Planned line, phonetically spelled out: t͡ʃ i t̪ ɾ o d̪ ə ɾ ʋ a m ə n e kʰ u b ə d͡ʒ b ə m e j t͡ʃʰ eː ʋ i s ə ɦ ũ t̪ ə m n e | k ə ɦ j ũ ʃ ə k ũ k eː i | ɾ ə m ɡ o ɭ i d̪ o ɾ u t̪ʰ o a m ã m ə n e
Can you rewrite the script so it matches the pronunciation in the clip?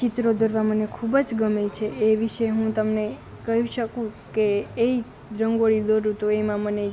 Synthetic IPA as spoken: t͡ʃ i t̪ ɾ o d̪ ə ɾ ʋ a m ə n e kʰ u b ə d͡ʒ ɡ ə m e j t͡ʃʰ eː ʋ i ʃ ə ɦ ũ t̪ ə m n e | k ə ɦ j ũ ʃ ə k ũ k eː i | ɾ ə ŋ ɡ o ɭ i d̪ o ɾ u t̪ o e m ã m ə n e